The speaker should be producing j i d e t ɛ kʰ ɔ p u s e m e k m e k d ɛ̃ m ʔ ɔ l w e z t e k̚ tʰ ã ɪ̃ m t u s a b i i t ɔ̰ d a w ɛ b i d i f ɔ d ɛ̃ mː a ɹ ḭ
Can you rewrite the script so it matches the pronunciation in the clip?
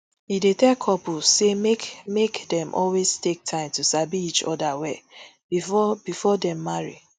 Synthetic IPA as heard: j i d e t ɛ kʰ ɔ p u s e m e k m e k d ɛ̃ m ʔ ɔ l w e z t e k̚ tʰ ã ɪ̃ m t u s a b i i t͡ʃ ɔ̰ d a w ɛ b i b i f ɔ d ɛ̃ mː a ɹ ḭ